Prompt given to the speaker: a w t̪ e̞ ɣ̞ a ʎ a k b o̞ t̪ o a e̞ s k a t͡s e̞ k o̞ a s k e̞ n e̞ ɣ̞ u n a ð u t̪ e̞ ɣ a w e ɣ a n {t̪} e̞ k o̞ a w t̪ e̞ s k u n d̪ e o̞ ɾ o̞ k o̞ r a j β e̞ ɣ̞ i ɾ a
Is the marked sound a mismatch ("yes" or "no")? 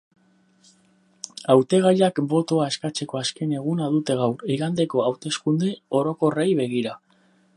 yes